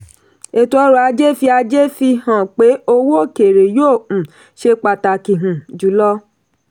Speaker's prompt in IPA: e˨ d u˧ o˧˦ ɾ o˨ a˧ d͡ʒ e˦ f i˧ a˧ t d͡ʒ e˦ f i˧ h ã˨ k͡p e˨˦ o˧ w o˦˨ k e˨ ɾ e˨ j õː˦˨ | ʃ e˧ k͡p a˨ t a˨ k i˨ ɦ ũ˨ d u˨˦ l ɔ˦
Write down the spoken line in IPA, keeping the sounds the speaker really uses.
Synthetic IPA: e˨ t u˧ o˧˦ ɾ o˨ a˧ d͡ʒ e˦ f i˧ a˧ d͡ʒ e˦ f i˧ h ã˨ k͡p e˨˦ o˧ w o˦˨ k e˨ ɾ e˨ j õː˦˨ | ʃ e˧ k͡p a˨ t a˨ k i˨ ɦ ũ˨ d͡ʒ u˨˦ l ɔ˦